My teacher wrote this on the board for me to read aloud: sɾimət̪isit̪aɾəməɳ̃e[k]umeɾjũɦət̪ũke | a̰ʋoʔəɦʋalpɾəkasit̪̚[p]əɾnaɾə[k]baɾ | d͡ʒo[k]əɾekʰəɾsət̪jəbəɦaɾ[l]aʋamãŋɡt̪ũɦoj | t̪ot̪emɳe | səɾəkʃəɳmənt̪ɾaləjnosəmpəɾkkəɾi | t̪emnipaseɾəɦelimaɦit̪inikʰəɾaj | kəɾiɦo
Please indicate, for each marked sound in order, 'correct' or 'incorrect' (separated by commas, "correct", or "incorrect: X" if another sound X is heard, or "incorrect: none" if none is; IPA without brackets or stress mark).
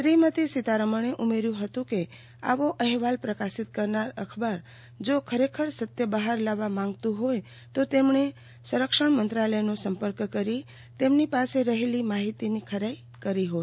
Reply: incorrect: ʔ, incorrect: k, incorrect: kʰ, incorrect: kʰ, correct